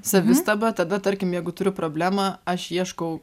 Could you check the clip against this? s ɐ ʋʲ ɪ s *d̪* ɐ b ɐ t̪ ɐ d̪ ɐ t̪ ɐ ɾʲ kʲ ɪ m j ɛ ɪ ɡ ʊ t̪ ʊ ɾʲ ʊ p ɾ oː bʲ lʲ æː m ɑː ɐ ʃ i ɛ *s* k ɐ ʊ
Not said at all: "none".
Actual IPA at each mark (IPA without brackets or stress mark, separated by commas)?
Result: t̪, ʃ